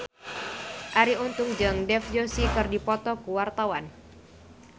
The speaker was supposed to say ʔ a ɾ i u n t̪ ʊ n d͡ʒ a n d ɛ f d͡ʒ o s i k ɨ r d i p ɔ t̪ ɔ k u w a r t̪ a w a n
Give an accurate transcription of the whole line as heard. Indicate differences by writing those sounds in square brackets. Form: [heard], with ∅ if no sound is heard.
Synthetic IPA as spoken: ʔ a ɾ i u n t̪ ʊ [ŋ] d͡ʒ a [ŋ] d ɛ f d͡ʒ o s i k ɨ r d i p ɔ t̪ ɔ k u w a r t̪ a w a n